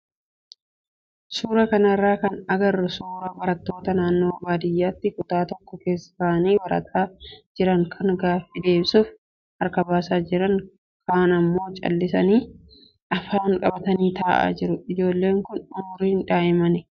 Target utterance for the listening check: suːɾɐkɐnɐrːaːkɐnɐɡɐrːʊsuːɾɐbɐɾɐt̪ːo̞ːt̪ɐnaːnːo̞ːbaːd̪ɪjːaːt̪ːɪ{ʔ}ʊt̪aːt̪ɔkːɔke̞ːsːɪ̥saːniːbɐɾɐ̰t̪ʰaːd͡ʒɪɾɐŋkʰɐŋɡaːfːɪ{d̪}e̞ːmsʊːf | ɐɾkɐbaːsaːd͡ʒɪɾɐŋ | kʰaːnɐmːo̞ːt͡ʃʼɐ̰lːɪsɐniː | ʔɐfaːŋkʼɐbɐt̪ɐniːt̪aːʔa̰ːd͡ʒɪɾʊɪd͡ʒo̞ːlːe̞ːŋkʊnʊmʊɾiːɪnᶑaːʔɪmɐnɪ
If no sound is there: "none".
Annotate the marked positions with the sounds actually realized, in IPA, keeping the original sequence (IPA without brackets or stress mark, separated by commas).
k, d̪